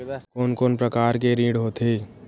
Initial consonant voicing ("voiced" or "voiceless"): voiceless